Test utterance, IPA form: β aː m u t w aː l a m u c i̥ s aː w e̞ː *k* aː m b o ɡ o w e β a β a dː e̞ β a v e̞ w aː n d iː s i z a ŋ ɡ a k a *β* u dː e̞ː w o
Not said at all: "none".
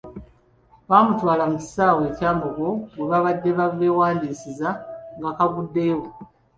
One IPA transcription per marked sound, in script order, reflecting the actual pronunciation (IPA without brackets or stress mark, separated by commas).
c, β